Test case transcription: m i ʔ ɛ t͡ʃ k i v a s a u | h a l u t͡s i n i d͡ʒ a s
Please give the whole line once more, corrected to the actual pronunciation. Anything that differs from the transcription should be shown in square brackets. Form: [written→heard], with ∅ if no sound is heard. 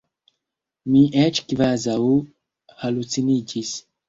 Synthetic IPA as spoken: m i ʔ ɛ t͡ʃ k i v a [s→z] a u | h a l u t͡s i n i d͡ʒ [a→i] s

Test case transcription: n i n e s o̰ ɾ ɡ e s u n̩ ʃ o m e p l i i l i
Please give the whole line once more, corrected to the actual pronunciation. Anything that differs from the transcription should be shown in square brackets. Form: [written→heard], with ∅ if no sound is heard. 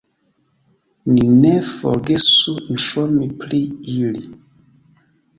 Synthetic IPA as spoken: n i n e [s→f] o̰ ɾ ɡ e s u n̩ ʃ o m [e→i] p l i i l i

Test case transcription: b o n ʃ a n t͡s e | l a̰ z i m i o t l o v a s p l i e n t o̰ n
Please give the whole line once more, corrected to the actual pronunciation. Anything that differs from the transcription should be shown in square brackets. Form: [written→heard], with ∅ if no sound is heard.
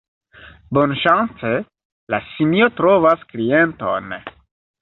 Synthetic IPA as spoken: b o n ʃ a n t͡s e | l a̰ [z→s] i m i o t [l→ɾ] o v a s [p→k] l i e n t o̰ n

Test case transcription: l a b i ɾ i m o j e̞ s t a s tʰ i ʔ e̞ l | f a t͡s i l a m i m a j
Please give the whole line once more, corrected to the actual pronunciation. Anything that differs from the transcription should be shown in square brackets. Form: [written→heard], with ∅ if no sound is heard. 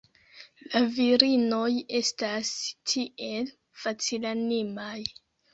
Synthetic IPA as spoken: l a [b→v] i ɾ i [m→n] o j e̞ s t a s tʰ i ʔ e̞ l | f a t͡s i l a [m→n] i m a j

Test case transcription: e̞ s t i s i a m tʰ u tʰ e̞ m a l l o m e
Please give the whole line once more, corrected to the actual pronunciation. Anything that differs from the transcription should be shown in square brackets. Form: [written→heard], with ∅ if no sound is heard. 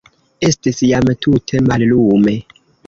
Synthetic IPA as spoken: e̞ s t i s [i→j] a m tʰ u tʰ e̞ m a l l [o→u] m e

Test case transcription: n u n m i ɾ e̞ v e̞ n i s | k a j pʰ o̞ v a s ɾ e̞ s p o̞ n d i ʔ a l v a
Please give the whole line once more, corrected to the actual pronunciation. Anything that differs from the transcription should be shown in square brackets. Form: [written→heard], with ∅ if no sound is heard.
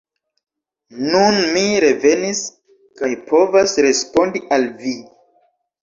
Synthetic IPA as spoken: n u n m i ɾ e̞ v e̞ n i s | k a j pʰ o̞ v a s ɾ e̞ s p o̞ n d i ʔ a l v [a→i]

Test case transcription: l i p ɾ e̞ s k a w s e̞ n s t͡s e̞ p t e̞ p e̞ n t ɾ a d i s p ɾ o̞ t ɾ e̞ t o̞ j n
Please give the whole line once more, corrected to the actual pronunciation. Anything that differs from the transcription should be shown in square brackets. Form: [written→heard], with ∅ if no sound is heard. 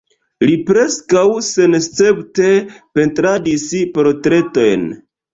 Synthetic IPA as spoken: l i p ɾ e̞ s k a w s e̞ n s t͡s e̞ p t e̞ p e̞ n t ɾ a d i s p ɾ o̞ t ɾ e̞ t o̞ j n

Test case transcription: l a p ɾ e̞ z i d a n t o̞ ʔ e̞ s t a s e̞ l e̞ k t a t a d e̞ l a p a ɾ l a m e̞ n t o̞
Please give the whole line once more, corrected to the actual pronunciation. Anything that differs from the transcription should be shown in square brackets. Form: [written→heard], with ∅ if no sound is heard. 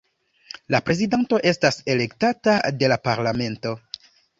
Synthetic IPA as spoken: l a p ɾ e̞ z i d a n t o̞ ʔ e̞ s t a s e̞ l e̞ k t a t a d e̞ l a p a ɾ l a m e̞ n t o̞

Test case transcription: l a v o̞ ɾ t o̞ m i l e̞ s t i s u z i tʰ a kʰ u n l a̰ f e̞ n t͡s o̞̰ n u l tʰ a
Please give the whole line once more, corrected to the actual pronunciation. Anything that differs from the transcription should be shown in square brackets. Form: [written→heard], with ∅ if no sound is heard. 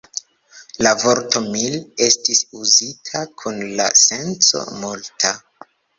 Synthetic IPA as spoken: l a v o̞ ɾ t o̞ m i l e̞ s t i s u z i tʰ a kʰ u n l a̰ [f→s] e̞ n t͡s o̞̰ [n→m] u l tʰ a

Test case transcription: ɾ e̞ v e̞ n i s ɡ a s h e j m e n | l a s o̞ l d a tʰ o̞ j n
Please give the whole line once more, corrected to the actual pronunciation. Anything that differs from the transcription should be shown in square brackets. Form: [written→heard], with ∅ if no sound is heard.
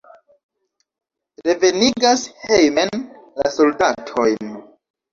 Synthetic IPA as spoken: ɾ e̞ v e̞ n i [s→∅] ɡ a s h e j m e n | l a s o̞ l d a tʰ o̞ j n

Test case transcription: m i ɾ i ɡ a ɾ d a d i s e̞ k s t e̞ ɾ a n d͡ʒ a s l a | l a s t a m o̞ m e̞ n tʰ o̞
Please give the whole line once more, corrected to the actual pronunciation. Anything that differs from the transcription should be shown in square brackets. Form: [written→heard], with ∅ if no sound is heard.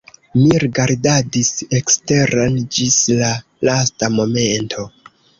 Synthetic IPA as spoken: m i ɾ i ɡ a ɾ d a d i s e̞ k s t e̞ ɾ a n d͡ʒ [a→i] s l a | l a s t a m o̞ m e̞ n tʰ o̞

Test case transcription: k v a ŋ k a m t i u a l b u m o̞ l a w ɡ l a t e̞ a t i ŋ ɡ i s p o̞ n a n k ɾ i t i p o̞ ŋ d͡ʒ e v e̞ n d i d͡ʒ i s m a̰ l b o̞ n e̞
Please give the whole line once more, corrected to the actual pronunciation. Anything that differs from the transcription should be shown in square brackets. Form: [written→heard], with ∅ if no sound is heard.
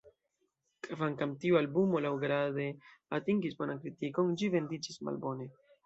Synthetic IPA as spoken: k v a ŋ k a m t i u a l b u m o̞ l a w ɡ [l→ɾ] a [t→d] e̞ a t i ŋ ɡ i s [p→b] o̞ n a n k ɾ i t i [p→k] o̞ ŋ d͡ʒ [e→i] v e̞ n d i d͡ʒ i s m a̰ l b o̞ n e̞

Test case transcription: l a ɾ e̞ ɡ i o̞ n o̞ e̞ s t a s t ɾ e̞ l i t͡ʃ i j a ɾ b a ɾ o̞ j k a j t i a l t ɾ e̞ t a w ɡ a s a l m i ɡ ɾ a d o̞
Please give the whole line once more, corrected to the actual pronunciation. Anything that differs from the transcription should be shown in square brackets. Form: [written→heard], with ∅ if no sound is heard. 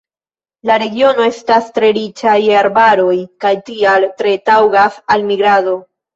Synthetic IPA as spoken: l a ɾ e̞ ɡ i o̞ n o̞ e̞ s t a s t ɾ e̞ [l→ɾ] i t͡ʃ [i→a] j a ɾ b a ɾ o̞ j k a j t i a l t ɾ e̞ t a w ɡ a s a l m i ɡ ɾ a d o̞

